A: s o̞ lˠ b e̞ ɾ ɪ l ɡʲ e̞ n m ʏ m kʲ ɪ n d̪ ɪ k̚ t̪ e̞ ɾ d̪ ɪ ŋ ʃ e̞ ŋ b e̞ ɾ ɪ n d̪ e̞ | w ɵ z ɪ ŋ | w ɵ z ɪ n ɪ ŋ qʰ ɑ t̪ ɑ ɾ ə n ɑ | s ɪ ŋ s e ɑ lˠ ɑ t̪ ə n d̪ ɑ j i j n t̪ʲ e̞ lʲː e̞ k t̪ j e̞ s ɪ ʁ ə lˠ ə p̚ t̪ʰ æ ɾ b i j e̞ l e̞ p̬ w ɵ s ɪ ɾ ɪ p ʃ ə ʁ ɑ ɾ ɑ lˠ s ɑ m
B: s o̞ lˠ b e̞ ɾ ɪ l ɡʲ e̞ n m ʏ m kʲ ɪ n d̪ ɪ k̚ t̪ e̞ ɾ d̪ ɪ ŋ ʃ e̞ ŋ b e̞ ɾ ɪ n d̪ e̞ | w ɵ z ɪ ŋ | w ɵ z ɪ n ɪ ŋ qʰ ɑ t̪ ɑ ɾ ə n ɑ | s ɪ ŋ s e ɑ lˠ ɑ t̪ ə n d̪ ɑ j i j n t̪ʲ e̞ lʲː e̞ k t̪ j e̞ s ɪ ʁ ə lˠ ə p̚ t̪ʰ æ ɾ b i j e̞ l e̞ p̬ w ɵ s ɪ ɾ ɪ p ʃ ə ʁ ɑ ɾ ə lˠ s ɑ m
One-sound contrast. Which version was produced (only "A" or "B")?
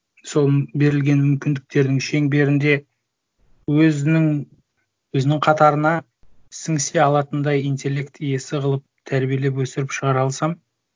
A